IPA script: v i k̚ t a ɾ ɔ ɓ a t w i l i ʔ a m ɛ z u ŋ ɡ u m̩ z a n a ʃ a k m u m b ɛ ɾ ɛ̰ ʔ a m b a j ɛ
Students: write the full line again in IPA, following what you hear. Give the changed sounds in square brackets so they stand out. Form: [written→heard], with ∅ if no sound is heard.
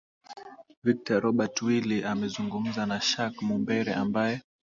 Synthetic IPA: v i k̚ t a ɾ ɔ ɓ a t w i l i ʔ a m ɛ z u ŋ ɡ u m̩ z a n a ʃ a k m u m b ɛ ɾ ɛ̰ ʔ a m b a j ɛ